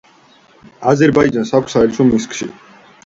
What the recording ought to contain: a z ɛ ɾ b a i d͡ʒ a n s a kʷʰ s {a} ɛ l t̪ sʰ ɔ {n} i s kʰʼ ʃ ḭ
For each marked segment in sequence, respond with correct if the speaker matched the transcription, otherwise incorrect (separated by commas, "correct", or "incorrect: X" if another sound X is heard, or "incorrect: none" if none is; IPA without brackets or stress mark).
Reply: correct, incorrect: m